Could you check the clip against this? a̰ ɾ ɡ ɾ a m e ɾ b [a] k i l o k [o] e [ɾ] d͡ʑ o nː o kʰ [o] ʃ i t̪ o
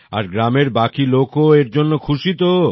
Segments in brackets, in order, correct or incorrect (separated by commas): correct, correct, correct, incorrect